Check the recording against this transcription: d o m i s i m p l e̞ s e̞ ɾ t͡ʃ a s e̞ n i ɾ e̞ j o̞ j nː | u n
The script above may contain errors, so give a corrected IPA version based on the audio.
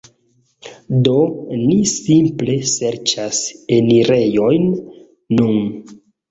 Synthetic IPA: d o n i s i m p l e̞ s e̞ ɾ t͡ʃ a s e̞ n i ɾ e̞ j o̞ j nː | u n